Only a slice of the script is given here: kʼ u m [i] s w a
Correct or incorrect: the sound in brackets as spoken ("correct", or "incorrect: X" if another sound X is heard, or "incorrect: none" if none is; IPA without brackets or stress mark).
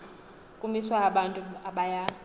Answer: correct